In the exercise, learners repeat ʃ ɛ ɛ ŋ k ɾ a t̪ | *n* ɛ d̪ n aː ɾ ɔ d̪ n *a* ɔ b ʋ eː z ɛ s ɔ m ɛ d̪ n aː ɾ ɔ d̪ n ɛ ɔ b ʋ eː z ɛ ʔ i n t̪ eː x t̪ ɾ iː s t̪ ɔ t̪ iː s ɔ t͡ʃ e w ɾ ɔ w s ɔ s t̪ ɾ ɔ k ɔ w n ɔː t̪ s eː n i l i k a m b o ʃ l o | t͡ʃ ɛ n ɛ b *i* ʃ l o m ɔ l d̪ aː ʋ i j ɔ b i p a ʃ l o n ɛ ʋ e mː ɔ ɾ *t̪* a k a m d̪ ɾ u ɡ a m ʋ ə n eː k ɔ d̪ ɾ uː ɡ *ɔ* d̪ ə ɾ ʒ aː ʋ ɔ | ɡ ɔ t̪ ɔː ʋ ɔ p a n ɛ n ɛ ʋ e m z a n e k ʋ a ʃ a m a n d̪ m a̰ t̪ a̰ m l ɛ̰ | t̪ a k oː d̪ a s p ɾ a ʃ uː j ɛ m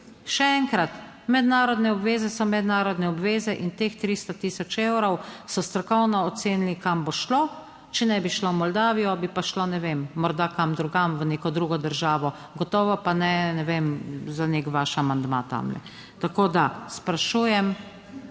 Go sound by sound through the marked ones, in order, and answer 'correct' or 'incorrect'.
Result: incorrect: m, incorrect: ɛ, correct, incorrect: d̪, correct

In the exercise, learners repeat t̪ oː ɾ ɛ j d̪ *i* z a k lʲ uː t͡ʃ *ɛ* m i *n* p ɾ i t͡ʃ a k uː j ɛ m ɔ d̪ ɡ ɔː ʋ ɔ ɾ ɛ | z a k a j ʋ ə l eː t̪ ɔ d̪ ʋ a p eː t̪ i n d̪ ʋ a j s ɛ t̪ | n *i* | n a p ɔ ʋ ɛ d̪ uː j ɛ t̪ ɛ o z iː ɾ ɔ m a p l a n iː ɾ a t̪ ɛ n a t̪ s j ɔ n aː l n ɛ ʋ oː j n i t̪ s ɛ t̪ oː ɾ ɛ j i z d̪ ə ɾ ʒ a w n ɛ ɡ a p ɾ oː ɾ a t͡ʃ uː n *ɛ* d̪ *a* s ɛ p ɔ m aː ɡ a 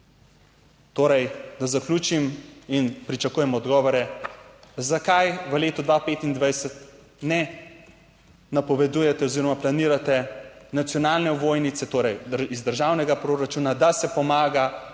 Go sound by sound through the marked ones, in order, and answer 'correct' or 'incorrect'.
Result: incorrect: a, incorrect: i, correct, incorrect: ɛ, incorrect: a, correct

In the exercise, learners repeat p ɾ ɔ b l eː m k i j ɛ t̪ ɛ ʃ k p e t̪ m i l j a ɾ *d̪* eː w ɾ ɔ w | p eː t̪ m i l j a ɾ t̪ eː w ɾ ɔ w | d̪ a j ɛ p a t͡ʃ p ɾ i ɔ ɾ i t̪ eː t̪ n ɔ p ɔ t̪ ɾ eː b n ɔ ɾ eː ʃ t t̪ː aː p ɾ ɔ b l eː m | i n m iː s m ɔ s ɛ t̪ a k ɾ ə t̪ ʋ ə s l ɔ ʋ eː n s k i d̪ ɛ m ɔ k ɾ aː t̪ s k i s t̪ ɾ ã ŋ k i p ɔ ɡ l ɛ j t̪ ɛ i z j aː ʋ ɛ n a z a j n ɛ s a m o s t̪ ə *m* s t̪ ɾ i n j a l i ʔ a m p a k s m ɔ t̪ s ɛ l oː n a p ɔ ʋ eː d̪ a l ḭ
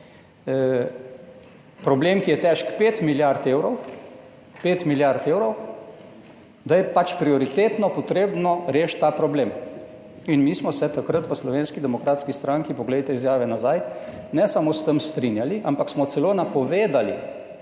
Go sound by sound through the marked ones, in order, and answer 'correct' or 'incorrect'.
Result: incorrect: t̪, correct

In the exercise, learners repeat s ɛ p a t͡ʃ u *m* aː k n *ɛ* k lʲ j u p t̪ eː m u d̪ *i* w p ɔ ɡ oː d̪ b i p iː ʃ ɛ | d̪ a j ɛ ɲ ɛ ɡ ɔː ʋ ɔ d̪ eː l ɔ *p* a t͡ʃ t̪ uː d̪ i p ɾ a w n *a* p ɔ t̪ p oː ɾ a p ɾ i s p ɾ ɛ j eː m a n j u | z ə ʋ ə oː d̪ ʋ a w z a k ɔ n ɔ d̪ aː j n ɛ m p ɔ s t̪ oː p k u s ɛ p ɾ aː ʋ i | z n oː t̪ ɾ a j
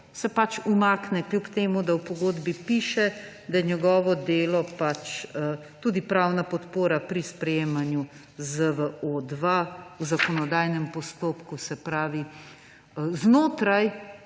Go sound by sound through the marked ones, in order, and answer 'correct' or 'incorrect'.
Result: correct, correct, incorrect: a, correct, correct

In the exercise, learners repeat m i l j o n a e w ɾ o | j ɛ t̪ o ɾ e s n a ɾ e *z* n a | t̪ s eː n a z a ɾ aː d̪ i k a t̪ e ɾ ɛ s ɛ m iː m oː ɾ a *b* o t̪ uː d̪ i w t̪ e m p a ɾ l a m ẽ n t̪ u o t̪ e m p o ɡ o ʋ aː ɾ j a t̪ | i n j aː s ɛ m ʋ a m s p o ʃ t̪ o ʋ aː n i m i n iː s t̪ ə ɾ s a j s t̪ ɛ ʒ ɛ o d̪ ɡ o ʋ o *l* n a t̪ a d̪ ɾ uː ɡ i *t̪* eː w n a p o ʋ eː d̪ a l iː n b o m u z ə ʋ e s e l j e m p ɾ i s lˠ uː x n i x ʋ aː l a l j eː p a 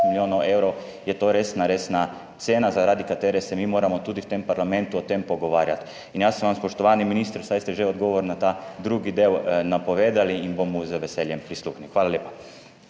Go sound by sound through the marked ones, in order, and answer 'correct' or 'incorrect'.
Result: incorrect: s, incorrect: m, incorrect: ɾ, incorrect: d̪

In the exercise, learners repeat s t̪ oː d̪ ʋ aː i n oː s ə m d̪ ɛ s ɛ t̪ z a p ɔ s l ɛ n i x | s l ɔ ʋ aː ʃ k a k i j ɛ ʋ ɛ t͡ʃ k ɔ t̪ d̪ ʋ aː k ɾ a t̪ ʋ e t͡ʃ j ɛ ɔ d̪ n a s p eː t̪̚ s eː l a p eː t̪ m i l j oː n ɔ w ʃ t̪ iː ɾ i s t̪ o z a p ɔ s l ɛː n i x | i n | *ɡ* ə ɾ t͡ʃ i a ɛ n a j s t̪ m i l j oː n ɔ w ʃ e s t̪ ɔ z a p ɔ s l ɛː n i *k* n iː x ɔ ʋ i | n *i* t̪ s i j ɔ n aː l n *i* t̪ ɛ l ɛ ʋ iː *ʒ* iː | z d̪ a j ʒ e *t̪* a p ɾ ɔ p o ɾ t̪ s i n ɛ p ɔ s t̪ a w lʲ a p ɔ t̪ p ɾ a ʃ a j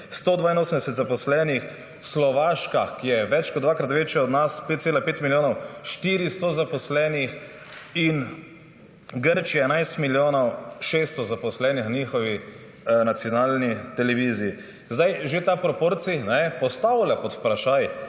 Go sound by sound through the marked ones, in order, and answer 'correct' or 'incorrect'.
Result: correct, incorrect: x, incorrect: a, correct, incorrect: z, correct

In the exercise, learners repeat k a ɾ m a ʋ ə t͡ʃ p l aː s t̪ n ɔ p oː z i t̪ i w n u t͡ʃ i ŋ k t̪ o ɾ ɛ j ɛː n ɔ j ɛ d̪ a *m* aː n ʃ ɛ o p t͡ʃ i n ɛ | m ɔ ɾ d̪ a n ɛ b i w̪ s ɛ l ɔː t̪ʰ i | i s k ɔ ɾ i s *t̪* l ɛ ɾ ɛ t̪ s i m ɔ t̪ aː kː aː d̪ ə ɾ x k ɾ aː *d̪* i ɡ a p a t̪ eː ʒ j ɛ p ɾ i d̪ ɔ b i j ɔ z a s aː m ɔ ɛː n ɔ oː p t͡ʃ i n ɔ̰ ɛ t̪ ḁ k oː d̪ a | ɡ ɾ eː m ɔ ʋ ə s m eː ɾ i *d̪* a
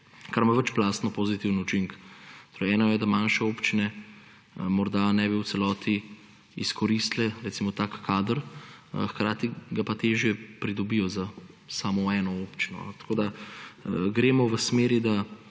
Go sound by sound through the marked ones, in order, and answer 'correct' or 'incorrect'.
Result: correct, correct, incorrect: t̪, correct

